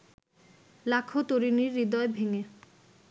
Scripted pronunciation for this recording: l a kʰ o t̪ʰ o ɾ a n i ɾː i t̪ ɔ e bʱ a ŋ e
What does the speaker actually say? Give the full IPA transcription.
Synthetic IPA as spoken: l a kʰ o t̪ o ɾ i n i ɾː i d̪ ɔ e bʱ e ŋ e